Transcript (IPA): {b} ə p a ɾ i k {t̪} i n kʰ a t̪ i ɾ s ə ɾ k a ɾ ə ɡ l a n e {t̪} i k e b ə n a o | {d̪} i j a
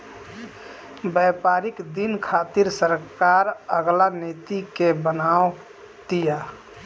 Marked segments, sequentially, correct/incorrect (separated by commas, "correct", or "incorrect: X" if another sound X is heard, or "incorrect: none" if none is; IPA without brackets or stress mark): correct, incorrect: d̪, correct, incorrect: t̪